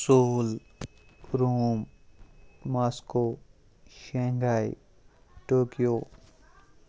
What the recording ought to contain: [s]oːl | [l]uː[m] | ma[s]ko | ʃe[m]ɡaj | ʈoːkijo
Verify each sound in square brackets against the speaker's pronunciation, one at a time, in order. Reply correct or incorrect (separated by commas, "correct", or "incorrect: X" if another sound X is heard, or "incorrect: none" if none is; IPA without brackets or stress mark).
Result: correct, incorrect: ɾ, correct, correct, incorrect: ŋ